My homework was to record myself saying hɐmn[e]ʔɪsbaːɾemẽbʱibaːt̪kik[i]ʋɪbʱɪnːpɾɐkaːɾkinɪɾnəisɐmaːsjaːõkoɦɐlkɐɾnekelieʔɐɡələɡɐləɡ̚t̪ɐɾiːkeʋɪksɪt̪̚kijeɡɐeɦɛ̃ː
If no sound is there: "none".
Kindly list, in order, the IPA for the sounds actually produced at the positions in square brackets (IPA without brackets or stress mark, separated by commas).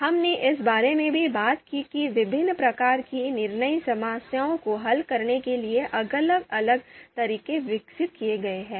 e, i